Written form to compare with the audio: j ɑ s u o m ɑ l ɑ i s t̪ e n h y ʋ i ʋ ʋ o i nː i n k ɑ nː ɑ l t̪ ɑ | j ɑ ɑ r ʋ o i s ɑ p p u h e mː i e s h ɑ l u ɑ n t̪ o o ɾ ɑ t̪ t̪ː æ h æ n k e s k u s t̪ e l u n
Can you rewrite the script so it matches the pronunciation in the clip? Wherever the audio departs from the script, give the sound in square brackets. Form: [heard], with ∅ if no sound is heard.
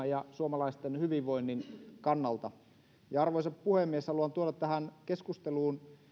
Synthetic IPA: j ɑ s u o m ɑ l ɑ i s t̪ e n h y ʋ i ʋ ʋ o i nː i n k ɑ nː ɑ l t̪ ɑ | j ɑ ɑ r ʋ o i s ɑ p p u h e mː i e s h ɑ l u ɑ n t̪ [u] o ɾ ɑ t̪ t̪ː æ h æ n k e s k u s t̪ e l [uː] n